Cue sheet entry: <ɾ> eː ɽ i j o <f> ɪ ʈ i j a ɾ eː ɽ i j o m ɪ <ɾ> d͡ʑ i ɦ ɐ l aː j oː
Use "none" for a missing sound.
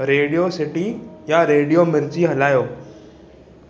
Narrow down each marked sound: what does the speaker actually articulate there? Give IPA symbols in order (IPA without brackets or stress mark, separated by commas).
ɾ, s, ɾ